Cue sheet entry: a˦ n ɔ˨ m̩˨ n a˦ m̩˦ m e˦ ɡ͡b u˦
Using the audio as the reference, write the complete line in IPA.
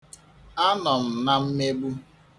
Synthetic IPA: a˦ n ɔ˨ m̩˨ n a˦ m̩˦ m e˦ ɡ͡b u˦